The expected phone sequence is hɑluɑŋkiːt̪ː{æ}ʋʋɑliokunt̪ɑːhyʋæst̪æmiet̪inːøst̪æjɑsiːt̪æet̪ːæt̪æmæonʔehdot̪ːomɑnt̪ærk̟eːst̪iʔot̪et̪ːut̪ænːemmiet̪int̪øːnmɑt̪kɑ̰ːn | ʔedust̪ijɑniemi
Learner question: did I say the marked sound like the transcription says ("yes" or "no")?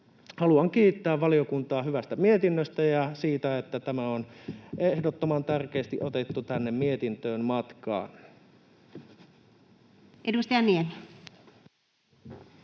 no